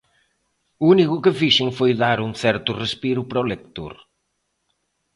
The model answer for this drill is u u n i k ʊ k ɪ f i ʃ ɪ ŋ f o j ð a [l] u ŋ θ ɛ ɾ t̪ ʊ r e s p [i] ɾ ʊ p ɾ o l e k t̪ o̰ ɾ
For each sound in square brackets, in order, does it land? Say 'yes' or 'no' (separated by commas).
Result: no, yes